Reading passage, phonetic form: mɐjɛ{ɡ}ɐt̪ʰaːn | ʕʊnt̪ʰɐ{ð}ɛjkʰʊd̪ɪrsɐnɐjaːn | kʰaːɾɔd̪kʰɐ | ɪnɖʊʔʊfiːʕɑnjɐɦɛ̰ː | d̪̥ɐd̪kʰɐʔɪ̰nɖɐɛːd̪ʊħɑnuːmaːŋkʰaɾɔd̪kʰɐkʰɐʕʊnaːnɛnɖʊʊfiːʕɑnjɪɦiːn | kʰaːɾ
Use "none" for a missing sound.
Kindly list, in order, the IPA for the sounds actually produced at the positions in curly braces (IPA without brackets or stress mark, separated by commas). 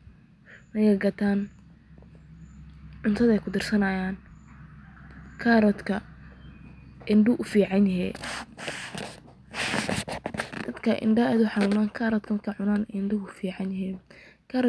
ɡ, ð